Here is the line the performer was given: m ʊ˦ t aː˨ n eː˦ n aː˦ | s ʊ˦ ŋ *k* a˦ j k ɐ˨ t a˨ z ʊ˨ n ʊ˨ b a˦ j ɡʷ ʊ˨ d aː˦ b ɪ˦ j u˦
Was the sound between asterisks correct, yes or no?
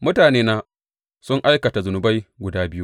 no